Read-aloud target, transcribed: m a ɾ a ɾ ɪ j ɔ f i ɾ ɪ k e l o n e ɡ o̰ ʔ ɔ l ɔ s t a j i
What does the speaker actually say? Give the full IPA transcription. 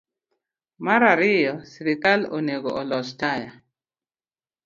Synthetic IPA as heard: m a ɾ a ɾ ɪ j ɔ s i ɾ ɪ k a l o n e ɡ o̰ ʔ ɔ l ɔ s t a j a